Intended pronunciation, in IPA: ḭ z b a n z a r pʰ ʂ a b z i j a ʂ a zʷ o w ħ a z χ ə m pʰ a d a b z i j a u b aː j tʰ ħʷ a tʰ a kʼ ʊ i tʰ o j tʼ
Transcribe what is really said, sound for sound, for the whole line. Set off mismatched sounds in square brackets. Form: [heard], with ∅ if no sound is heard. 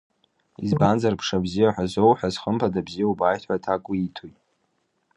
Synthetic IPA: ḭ z b a n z a r pʰ ʂ a b z i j a [ħ] a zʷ o w ħ a z χ ə m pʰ a d a b z i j a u b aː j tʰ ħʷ a tʰ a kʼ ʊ i tʰ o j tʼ